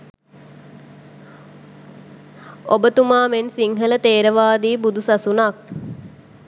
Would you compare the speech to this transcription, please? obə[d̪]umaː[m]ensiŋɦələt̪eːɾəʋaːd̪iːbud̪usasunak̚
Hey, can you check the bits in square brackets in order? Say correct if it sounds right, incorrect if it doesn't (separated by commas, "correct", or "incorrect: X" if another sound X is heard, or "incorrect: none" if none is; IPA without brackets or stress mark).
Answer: incorrect: t̪, correct